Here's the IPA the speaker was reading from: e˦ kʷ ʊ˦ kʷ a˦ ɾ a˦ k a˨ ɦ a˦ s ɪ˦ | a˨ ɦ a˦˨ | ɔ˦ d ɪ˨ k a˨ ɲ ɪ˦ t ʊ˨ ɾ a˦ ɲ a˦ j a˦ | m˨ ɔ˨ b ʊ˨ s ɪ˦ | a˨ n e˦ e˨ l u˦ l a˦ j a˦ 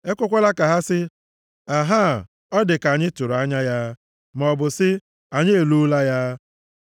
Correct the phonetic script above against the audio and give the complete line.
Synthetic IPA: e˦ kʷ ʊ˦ kʷ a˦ l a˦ k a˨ ɦ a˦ s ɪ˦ | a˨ ɦ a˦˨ | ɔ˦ d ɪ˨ k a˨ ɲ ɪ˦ t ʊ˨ ɾ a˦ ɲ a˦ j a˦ | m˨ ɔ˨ b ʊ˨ s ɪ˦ | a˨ ɲ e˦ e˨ l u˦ l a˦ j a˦

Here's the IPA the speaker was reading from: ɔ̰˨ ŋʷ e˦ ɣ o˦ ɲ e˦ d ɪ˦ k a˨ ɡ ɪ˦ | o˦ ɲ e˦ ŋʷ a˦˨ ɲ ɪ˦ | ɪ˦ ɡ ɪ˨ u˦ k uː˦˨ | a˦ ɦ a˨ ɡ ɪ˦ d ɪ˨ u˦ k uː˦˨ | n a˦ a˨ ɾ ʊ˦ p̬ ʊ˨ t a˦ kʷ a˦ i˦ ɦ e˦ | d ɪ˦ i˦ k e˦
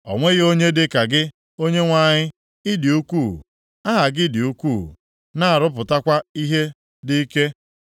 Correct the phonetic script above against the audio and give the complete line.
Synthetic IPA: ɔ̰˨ ŋʷ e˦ ɣ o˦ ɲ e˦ d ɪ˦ k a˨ ɡ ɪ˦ | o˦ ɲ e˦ ŋʷ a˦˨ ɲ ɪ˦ | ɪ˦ d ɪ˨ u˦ k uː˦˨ | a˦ ɦ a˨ ɡ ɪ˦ d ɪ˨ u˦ k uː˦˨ | n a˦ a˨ ɾ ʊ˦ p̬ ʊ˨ t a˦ kʷ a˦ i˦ ɦ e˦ | d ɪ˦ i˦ k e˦

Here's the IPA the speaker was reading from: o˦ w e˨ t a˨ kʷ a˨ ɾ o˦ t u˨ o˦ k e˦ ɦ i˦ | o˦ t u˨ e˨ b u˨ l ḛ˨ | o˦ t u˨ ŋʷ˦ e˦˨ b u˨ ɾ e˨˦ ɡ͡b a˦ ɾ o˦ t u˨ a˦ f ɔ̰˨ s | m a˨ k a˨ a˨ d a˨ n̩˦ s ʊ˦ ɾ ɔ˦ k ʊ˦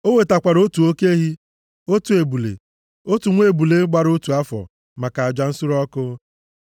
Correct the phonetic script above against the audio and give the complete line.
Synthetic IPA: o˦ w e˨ t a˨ kʷ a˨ ɾ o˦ t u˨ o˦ k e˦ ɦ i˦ | o˦ t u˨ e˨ b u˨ l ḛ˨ | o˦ t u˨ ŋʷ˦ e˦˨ b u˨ l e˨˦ ɡ͡b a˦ ɾ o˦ t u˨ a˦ f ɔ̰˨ | m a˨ k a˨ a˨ d͡ʒ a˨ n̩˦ s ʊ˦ ɾ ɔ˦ k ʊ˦

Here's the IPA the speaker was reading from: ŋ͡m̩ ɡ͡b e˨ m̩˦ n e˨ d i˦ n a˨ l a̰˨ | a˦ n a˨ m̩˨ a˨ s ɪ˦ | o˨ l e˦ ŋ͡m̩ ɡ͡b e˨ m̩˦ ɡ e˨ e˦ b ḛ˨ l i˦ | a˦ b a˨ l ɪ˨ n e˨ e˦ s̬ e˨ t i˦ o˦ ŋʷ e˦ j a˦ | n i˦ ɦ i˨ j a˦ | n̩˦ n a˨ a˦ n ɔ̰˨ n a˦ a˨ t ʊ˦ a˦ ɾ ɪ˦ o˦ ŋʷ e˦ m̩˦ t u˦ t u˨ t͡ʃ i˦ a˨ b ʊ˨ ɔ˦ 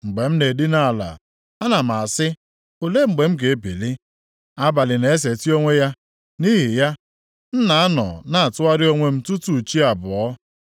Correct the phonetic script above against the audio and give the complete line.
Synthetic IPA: ŋ͡m̩ ɡ͡b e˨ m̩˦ n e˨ d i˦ n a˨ l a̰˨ | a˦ n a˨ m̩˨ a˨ s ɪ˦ | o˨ l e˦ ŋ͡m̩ ɡ͡b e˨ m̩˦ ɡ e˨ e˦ b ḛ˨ l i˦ | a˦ b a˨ l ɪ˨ n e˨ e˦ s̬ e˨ t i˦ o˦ ŋʷ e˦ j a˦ | n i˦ ɦ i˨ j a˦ | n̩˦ n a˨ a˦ n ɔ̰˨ n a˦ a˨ t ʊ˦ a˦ ɾ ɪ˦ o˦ ŋʷ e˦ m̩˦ t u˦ t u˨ t͡ʃ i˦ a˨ b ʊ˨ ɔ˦

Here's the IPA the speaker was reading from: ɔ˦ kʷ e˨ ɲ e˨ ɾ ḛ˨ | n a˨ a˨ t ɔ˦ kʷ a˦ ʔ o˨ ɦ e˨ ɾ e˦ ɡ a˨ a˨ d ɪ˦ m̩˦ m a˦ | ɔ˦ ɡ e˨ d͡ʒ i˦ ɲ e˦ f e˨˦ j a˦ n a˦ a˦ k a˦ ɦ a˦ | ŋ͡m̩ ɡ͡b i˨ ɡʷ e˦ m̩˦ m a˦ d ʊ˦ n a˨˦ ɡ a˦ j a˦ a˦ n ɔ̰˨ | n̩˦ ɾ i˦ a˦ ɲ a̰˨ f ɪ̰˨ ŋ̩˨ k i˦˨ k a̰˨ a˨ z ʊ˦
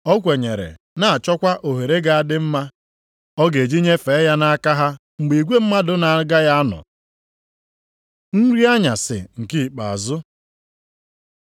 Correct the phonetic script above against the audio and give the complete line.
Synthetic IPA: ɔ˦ kʷ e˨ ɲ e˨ ɾ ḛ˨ | n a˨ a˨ t͡ʃ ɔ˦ kʷ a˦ ʔ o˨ ɦ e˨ ɾ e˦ ɡ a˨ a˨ d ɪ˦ m̩˦ m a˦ | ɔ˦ ɡ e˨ d͡ʒ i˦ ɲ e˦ f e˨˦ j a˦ n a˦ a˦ k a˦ ɦ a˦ | ŋ͡m̩ ɡ͡b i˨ ɡʷ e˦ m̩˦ m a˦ d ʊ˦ n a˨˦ ɡ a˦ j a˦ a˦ n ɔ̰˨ | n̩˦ ɾ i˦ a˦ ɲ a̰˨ s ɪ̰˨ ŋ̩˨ k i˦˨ k͡p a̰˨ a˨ z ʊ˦

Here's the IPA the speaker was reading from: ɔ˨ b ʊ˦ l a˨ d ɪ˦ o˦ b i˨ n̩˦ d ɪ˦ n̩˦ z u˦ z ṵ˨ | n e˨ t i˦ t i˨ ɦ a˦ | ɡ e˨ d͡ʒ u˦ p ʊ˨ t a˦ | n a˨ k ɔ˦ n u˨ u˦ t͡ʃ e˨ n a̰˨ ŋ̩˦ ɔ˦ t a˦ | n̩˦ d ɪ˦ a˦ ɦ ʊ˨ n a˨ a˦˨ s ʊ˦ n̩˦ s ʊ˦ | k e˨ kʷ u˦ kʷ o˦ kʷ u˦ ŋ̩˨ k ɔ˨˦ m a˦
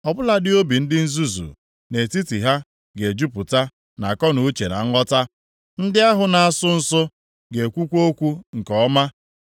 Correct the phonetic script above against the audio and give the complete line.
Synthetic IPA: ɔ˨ b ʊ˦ l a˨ d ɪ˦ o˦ b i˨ n̩˦ d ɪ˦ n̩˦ z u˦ z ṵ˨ | n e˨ t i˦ t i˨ ɦ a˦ | ɡ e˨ d͡ʒ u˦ p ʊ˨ t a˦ | n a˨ k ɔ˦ n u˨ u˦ t͡ʃ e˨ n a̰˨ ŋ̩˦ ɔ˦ t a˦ | n̩˦ d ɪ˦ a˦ ɦ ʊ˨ n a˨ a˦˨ s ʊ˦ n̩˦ s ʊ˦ | ɡ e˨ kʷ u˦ kʷ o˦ kʷ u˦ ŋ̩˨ k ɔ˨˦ m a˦

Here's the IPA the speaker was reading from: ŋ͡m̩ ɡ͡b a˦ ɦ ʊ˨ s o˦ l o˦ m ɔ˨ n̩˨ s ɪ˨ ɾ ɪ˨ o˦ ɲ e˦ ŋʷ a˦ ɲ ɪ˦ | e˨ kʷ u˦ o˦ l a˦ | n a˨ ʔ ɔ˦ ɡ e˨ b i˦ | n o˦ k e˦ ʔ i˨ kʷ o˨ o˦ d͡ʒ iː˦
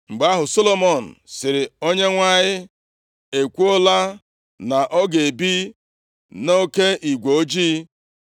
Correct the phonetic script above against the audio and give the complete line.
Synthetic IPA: ŋ͡m̩ ɡ͡b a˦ ɦ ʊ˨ s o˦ l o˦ m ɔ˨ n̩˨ s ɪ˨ ɾ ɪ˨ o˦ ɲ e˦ ŋʷ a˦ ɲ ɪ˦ | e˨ kʷ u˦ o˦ l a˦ | n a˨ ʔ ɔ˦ ɡ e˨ b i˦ | n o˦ k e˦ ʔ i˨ ɡʷ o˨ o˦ d͡ʒ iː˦

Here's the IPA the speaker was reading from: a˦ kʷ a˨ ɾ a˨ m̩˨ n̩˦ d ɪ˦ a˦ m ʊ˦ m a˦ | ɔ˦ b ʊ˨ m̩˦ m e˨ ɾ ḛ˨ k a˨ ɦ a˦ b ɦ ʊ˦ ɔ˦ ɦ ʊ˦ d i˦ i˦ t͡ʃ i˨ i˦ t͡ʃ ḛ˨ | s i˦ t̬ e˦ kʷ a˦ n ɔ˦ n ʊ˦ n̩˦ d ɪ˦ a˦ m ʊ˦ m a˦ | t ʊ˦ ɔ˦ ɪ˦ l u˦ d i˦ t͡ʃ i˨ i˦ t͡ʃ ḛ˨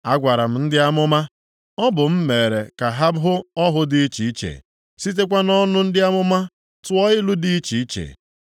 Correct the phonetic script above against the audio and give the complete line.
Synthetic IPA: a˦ ɡʷ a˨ ɾ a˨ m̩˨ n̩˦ d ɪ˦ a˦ m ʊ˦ m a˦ | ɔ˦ b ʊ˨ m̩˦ m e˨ ɾ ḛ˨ k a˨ ɦ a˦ b ɦ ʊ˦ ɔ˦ ɦ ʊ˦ d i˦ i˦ t͡ʃ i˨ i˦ t͡ʃ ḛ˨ | s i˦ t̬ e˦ kʷ a˦ n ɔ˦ n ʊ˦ n̩˦ d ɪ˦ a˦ m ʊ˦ m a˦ | t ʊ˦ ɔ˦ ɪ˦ l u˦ d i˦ t͡ʃ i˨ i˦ t͡ʃ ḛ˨

